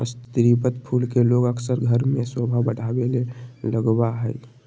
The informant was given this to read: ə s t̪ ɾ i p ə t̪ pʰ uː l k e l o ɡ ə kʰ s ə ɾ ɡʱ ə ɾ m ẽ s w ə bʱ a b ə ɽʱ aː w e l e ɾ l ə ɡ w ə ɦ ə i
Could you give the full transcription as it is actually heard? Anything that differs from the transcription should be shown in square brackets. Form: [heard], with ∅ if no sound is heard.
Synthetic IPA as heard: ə s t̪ ɾ i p ə t̪ pʰ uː l k e l o ɡ ə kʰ s ə ɾ ɡʱ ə ɾ m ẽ s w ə bʱ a b ə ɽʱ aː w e l e [∅] l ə ɡ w [a] ɦ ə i